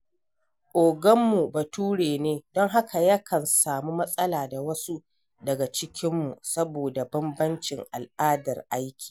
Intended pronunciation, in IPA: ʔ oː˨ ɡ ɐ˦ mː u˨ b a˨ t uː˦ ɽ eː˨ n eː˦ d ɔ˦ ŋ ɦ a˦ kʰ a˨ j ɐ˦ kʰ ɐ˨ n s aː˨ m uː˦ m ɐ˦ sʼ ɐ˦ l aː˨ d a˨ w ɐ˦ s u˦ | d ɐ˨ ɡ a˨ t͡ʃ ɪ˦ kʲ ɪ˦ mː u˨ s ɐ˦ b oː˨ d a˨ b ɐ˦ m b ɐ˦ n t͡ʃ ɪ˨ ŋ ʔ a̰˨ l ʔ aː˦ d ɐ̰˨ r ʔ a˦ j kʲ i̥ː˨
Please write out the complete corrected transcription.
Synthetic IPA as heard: ʔ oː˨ ɡ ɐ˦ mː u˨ b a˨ t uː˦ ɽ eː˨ n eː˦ d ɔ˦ ŋ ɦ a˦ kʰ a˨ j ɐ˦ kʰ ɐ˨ n s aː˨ m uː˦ m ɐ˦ sʼ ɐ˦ l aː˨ d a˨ w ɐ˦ s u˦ | d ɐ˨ ɡ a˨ t͡ʃ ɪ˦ kʲ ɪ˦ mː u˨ s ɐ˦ b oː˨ d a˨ b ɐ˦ m b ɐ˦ n t͡ʃ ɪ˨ ŋ ʔ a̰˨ l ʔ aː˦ d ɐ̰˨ r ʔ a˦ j kʲ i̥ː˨